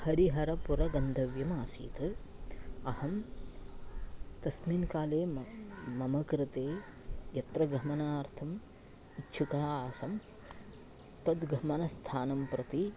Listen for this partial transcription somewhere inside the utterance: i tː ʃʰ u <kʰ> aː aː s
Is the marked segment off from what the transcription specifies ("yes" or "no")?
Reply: yes